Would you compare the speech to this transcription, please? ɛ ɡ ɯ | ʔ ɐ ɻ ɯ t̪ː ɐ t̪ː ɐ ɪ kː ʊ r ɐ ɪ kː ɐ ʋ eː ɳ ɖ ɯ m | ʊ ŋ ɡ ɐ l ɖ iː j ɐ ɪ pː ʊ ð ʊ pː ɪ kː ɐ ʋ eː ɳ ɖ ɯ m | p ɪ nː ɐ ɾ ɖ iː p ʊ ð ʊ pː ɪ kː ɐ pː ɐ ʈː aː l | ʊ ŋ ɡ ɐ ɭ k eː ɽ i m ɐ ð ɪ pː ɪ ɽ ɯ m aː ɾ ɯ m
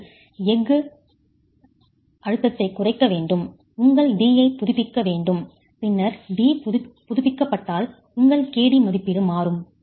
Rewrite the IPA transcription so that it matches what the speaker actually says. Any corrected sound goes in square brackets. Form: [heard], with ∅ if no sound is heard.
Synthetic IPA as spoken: ɛ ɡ ɯ | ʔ ɐ ɻ ɯ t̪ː ɐ t̪ː ɐ ɪ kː ʊ r ɐ ɪ kː ɐ ʋ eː ɳ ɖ ɯ m | ʊ ŋ ɡ ɐ [ɭ] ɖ iː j ɐ ɪ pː ʊ ð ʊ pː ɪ kː ɐ ʋ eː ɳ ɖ ɯ m | p ɪ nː ɐ ɾ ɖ iː p ʊ ð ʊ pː ɪ kː ɐ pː ɐ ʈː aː l | ʊ ŋ ɡ ɐ ɭ k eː ɽ i m ɐ ð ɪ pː ɪ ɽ ɯ m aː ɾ ɯ m